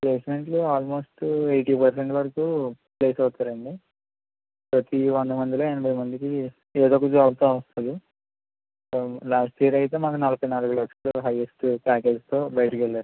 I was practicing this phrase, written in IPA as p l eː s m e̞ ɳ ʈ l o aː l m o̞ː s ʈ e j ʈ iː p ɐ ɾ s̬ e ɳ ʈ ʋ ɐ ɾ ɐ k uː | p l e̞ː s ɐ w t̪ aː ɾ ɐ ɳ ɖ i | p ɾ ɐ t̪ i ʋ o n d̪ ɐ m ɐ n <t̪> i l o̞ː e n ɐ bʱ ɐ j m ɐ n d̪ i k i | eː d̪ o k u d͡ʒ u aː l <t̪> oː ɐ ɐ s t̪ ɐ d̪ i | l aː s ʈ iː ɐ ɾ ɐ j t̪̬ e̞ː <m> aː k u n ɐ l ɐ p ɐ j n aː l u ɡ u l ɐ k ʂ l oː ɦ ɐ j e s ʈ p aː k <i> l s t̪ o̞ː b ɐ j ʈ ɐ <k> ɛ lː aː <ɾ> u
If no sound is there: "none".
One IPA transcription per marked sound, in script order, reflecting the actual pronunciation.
d̪, t̪, m, e, k, ɾ

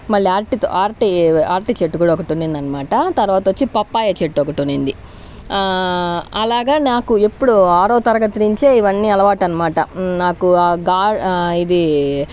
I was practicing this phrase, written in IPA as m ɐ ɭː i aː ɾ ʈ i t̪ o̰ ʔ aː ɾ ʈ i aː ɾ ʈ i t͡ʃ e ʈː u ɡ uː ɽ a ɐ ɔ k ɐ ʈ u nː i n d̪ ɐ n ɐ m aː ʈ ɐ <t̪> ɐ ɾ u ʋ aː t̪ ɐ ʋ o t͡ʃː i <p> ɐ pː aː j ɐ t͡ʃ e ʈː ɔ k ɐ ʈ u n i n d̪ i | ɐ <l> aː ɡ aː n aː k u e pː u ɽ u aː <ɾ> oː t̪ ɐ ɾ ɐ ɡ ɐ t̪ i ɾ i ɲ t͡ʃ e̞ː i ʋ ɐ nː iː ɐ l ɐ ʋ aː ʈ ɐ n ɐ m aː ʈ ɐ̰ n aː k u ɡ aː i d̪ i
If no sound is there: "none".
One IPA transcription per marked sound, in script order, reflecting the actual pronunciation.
t̪, p, l, ɾ

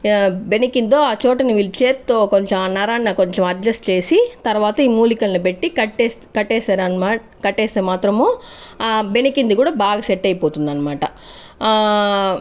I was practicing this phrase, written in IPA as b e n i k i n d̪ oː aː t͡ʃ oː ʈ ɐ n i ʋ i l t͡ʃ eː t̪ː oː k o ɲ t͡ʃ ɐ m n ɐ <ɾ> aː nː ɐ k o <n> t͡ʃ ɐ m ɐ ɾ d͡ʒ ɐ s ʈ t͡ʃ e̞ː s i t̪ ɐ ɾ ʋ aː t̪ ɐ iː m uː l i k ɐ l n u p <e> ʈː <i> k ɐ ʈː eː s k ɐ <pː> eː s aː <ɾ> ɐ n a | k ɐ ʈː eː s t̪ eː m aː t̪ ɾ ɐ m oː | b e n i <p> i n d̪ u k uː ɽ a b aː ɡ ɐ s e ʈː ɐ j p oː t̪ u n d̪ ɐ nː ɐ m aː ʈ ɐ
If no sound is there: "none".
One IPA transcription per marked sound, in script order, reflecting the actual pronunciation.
ɾ, ɲ, e, i, ʈː, ɾ, k

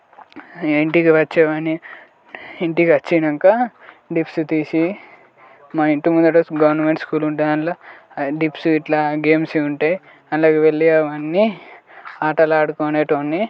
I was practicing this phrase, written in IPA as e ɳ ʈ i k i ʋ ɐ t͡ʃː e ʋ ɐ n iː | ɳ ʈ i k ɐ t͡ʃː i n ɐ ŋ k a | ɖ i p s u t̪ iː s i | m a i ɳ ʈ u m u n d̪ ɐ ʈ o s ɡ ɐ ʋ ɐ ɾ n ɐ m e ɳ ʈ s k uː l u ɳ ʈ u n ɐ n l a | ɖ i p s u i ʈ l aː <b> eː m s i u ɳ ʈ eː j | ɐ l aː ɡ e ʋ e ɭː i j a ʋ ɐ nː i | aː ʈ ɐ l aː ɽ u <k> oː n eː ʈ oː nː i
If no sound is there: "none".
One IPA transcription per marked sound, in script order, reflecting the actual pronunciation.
ɡ, k

